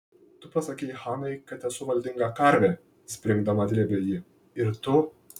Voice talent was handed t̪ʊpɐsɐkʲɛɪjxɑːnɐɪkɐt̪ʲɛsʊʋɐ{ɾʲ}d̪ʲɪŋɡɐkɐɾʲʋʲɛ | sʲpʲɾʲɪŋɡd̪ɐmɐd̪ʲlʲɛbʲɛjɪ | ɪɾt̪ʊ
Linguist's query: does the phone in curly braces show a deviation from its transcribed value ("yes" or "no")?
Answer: yes